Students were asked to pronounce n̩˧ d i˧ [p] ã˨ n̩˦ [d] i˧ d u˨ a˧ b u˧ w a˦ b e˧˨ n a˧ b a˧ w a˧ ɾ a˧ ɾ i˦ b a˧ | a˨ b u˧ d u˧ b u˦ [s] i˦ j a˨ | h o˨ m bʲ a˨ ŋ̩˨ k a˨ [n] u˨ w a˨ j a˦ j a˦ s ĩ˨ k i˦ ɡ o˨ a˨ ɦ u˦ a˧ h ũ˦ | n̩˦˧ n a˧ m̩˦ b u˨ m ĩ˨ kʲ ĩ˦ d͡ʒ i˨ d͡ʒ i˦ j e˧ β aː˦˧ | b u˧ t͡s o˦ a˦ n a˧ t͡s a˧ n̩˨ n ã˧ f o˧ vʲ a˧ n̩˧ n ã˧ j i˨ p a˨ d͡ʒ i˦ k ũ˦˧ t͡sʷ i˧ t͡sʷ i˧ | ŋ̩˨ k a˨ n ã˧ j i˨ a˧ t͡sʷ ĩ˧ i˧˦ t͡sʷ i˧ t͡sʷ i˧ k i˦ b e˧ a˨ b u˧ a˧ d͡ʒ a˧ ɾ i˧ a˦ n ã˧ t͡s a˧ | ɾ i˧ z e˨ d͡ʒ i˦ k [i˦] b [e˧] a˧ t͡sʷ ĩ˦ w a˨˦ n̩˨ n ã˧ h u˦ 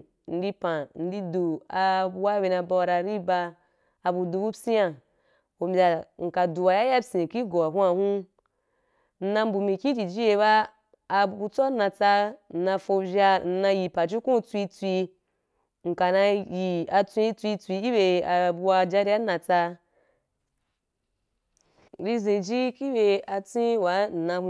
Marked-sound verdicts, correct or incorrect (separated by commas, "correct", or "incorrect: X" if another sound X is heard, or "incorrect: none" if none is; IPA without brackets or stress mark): correct, correct, correct, incorrect: d, correct, correct